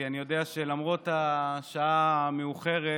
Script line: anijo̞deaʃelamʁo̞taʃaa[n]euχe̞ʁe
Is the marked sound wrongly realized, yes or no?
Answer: yes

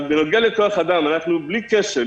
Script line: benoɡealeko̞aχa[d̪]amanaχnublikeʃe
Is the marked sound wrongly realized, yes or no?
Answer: no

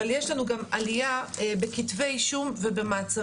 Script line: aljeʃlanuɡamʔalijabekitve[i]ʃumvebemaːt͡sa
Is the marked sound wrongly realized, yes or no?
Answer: yes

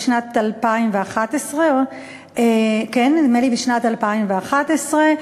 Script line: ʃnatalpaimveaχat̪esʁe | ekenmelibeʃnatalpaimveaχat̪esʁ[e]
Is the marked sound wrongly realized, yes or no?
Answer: no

